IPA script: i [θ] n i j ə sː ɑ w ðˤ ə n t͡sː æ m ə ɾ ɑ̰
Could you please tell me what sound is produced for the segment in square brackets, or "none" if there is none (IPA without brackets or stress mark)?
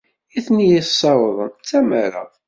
θ